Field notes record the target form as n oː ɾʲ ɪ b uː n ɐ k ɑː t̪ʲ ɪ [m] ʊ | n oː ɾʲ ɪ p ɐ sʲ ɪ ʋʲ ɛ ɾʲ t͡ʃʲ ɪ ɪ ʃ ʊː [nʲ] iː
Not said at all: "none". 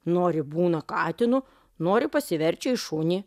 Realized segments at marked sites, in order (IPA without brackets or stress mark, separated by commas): n, nʲ